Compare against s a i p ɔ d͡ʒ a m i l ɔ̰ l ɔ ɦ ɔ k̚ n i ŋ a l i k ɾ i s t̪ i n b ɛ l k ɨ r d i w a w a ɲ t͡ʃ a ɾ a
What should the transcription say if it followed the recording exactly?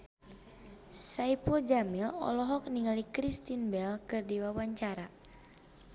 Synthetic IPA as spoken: s a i p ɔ d͡ʒ a m i l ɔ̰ l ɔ ɦ ɔ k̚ n i ŋ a l i k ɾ i s t̪ i n b ɛ l k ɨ r d i w a w a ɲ t͡ʃ a ɾ a